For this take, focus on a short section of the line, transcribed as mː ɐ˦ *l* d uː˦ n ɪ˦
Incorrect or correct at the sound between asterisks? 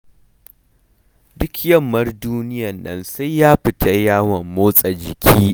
incorrect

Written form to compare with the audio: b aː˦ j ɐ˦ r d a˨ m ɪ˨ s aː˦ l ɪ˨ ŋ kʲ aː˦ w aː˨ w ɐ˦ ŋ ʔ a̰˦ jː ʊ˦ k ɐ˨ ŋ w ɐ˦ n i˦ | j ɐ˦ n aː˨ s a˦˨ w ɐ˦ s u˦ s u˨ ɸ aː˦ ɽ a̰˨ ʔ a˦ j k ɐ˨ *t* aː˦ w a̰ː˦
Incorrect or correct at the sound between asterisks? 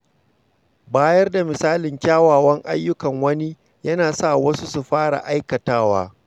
correct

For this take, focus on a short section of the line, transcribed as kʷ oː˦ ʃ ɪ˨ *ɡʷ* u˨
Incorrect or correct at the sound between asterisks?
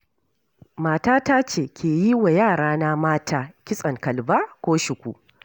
incorrect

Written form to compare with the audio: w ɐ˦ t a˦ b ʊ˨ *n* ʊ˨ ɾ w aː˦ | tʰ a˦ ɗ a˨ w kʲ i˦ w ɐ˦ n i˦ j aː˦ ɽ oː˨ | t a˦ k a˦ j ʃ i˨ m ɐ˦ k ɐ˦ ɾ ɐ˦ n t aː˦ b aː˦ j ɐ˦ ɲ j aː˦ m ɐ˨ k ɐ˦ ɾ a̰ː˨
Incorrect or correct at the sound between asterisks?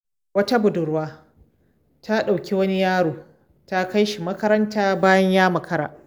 incorrect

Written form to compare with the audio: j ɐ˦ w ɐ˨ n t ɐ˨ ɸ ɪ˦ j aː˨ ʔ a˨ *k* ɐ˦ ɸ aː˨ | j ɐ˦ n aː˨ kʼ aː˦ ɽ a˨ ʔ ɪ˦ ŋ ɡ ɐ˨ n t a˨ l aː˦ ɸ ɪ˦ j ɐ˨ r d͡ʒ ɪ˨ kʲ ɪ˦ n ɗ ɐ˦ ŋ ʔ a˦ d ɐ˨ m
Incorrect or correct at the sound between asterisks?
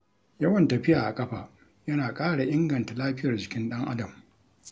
incorrect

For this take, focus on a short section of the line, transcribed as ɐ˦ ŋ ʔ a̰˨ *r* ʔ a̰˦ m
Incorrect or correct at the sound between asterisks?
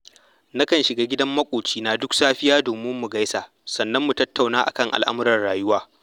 incorrect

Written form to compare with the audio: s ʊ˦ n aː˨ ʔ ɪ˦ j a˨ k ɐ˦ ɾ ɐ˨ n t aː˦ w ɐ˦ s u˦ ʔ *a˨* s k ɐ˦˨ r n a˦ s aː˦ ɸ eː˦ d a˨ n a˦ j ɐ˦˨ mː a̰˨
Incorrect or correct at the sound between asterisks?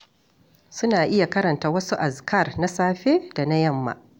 correct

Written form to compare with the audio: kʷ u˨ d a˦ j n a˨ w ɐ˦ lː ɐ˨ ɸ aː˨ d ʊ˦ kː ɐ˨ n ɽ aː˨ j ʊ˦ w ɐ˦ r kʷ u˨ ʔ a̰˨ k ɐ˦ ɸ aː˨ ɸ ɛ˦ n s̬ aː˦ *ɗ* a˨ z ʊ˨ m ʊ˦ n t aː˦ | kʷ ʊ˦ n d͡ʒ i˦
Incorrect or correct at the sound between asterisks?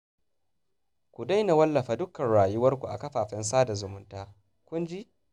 incorrect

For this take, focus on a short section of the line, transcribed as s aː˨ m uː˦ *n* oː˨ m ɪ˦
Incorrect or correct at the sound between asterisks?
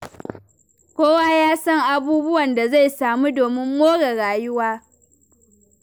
incorrect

